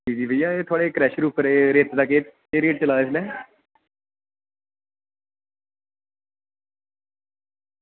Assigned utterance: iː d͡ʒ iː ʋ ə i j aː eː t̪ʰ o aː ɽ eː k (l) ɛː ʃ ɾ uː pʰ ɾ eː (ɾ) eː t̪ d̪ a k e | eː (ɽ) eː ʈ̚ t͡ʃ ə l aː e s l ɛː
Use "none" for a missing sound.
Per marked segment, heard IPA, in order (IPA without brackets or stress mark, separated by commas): ɾ, ɾ, ɾ